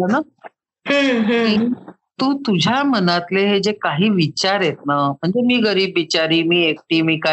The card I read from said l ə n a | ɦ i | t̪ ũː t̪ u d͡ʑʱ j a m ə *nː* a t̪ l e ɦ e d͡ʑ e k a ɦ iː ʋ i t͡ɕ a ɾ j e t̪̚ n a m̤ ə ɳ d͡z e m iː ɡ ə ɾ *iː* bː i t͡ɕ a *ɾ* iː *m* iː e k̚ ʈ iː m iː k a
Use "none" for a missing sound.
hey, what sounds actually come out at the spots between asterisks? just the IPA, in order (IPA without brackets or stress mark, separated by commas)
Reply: n, iː, ɾ, m